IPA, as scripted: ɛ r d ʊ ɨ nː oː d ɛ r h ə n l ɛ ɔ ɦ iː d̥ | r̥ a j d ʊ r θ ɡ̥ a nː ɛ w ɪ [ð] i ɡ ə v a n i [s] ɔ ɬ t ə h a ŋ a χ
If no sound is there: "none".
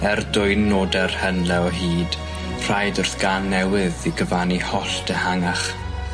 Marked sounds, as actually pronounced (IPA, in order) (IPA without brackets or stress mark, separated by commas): ð, h